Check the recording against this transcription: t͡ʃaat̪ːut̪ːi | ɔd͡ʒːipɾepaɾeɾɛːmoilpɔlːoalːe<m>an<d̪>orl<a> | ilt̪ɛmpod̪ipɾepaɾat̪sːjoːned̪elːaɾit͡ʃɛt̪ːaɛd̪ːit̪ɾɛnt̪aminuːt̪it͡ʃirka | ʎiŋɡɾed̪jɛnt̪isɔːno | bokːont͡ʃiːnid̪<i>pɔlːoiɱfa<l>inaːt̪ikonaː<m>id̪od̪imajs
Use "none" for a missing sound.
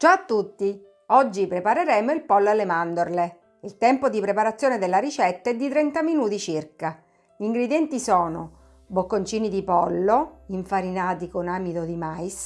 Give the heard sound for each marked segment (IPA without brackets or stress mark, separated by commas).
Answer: m, d̪, e, i, ɾ, m